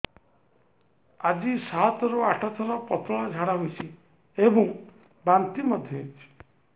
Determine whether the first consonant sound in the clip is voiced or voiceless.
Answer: voiced